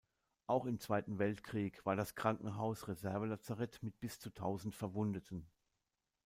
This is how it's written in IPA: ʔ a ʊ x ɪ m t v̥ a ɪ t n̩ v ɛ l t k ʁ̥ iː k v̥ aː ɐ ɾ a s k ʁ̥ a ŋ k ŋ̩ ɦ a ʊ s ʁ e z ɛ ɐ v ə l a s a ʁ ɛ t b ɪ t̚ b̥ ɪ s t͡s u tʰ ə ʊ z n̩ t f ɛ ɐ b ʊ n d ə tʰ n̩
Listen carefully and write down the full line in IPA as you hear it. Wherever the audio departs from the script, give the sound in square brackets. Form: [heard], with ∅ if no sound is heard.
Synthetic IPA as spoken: ʔ a ʊ x ɪ m [t͡s] v̥ a ɪ t n̩ v ɛ l t k ʁ̥ iː k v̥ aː ɐ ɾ a s k ʁ̥ a ŋ k ŋ̩ ɦ a ʊ s ʁ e z ɛ ɐ v ə l a [t͡s] a ʁ ɛ t [m] ɪ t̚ b̥ ɪ s t͡s u tʰ [a] ʊ z n̩ t f ɛ ɐ [v] ʊ n d ə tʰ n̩